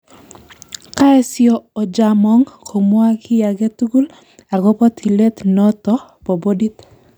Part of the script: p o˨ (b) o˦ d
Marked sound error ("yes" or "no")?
no